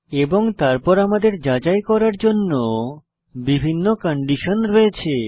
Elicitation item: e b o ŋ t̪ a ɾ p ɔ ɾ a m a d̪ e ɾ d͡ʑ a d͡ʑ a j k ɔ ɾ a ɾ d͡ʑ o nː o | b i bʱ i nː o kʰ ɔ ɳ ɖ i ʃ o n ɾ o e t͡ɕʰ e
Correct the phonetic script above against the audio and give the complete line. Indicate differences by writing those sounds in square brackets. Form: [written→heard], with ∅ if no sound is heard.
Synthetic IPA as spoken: e b o ŋ t̪ a ɾ p ɔ ɾ a m a d̪ e ɾ d͡ʑ a d͡ʑ a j k ɔ ɾ a ɾ d͡ʑ o nː o | b i bʱ i nː o [kʰ→k] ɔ ɳ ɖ i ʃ o n ɾ o e t͡ɕʰ e